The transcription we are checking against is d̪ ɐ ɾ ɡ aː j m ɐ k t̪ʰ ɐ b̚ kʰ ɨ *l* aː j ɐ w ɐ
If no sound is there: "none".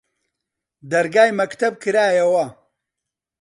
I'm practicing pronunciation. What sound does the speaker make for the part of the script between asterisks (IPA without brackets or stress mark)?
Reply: ɾ